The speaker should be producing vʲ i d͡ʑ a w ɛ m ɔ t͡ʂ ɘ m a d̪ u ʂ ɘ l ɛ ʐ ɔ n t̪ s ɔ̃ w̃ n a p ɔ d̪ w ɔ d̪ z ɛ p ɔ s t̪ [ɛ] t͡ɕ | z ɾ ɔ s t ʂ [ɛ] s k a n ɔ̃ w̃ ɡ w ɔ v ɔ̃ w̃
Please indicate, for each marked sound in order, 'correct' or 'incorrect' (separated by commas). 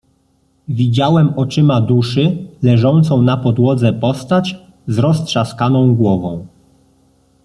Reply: incorrect, incorrect